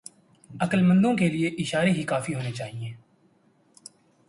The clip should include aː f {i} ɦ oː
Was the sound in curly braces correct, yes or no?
yes